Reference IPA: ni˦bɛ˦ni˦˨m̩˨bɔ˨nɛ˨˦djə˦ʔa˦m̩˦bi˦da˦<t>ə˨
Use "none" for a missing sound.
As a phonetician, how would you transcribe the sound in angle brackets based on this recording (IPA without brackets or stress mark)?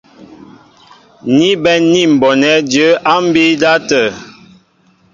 t